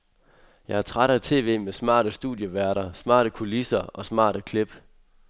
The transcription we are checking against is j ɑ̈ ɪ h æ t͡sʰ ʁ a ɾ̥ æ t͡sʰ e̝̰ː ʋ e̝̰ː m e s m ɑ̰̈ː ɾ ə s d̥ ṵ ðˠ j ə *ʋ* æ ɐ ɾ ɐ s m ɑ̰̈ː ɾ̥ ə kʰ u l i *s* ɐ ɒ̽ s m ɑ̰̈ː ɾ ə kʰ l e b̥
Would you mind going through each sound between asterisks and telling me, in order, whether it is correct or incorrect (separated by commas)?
correct, correct